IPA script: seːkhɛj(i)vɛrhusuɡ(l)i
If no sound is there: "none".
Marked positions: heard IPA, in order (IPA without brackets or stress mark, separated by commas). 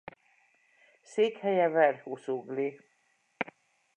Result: ɛ, l